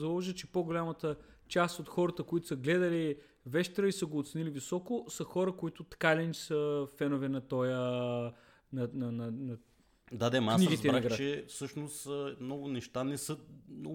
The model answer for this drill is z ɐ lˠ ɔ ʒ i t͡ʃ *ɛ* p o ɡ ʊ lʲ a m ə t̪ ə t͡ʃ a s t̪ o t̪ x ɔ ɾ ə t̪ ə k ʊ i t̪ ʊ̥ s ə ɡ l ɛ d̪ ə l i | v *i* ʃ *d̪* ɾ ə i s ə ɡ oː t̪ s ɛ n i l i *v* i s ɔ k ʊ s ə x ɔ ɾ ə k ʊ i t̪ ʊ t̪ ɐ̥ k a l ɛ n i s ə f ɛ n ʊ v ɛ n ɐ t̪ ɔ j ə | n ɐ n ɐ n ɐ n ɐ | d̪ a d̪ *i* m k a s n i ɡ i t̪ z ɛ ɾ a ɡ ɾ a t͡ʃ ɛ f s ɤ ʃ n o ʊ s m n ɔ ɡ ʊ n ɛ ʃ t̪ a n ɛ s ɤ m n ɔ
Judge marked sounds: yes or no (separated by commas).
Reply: yes, no, no, yes, no